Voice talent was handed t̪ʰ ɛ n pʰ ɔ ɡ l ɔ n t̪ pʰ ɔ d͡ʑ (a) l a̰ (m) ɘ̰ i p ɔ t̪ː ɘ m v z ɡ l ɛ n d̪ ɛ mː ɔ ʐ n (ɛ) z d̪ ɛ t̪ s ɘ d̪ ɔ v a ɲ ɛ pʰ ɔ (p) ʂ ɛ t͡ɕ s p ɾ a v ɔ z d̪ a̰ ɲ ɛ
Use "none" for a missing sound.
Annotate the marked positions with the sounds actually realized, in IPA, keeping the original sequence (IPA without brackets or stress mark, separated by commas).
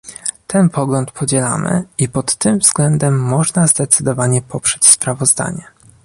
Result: ɛ, m, a, p